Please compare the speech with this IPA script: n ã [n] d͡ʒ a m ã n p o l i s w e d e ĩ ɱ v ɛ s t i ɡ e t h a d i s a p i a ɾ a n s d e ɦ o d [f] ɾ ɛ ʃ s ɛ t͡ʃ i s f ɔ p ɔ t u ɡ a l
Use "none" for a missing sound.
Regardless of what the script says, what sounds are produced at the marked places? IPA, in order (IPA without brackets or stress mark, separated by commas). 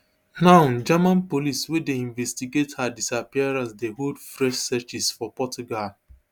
n, f